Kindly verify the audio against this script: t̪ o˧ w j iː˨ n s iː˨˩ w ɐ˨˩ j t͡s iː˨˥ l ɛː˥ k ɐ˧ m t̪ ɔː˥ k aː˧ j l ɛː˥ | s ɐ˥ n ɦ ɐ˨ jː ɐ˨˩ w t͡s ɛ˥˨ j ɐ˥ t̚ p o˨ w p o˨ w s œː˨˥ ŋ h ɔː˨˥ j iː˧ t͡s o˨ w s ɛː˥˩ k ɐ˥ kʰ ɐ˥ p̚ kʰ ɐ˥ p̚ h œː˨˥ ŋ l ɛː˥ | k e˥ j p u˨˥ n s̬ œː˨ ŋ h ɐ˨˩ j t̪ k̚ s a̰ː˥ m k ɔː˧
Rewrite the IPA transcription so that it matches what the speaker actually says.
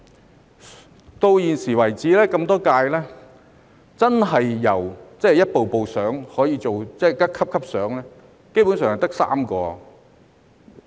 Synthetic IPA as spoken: t̪ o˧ w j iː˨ n s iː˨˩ w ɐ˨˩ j t͡s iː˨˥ l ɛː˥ k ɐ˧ m t̪ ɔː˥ k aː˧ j l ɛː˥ | t͡s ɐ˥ n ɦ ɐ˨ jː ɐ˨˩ w t͡s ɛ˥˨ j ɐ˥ t̚ p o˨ w p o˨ w s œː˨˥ ŋ h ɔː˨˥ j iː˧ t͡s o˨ w t͡s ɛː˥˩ k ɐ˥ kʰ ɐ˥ p̚ kʰ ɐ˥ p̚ s œː˨˥ ŋ l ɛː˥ | k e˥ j p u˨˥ n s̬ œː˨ ŋ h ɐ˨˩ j t̪ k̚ s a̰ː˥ m k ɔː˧

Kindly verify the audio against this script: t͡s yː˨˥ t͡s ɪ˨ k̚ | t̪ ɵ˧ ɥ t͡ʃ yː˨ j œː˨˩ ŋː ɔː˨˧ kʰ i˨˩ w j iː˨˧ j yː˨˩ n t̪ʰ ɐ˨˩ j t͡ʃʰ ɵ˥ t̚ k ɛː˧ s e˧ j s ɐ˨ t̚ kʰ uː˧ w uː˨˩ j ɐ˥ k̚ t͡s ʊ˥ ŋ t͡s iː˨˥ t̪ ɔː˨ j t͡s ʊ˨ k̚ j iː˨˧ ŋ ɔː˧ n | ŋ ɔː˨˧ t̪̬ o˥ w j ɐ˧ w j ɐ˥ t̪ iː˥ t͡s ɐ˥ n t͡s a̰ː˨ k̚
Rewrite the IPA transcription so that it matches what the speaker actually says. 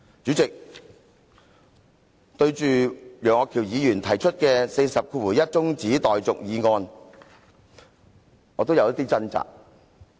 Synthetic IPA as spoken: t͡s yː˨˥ t͡s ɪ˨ k̚ | t̪ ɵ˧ ɥ t͡ʃ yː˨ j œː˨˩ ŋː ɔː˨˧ kʰ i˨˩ w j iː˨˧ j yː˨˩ n t̪ʰ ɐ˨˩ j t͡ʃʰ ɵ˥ t̚ k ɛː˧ s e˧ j s ɐ˨ p̚ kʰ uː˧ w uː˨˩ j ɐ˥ t̚ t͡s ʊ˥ ŋ t͡s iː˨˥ t̪ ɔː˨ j t͡s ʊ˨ k̚ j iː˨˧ ŋ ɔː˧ n | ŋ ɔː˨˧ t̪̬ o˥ w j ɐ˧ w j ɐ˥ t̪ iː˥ t͡s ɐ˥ n t͡s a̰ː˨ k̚

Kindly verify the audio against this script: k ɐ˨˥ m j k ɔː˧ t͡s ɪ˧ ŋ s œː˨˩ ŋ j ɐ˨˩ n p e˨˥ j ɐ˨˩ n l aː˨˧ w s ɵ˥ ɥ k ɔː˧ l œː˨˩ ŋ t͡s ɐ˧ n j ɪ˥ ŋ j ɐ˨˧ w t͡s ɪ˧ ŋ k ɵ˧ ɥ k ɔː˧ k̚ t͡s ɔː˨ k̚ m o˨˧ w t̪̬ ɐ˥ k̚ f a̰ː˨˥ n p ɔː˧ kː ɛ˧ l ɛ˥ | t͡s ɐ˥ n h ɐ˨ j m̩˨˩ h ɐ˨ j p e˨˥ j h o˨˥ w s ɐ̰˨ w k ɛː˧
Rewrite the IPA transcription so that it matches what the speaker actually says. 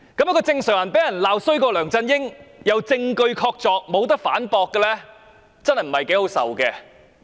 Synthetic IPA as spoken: k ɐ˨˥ m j k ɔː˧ t͡s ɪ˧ ŋ s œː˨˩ ŋ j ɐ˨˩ n p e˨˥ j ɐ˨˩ n l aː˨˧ w s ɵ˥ ɥ k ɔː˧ l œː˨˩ ŋ t͡s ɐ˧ n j ɪ˥ ŋ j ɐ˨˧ w t͡s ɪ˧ ŋ k ɵ˧ ɥ kʰ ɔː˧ k̚ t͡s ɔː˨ k̚ m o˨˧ w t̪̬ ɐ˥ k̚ f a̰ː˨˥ n p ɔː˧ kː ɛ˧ l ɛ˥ | t͡s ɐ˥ n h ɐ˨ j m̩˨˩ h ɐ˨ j k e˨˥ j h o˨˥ w s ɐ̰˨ w k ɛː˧

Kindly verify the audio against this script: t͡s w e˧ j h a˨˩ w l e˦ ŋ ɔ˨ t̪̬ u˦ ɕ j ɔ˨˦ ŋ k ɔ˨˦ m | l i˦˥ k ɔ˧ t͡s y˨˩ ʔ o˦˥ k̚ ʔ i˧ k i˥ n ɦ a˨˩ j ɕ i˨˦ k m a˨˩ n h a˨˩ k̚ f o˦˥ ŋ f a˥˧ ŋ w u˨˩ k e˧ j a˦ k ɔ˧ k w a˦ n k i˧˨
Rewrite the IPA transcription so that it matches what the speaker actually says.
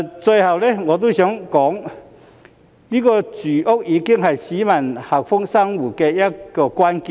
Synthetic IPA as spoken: t͡s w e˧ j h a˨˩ w l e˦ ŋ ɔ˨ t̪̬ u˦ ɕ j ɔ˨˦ ŋ k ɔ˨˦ ŋ | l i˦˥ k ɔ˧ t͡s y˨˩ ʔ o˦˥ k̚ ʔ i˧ k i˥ ŋ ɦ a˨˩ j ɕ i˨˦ m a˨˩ n h a˨˩ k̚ f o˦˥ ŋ s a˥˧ ŋ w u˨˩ k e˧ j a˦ k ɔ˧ k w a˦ n k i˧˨

